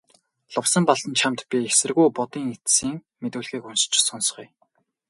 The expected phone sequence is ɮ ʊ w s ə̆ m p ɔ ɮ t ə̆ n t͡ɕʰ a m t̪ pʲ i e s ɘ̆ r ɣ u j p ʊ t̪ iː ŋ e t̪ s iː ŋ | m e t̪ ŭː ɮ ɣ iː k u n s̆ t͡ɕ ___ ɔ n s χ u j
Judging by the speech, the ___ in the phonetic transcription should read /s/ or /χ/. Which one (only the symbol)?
s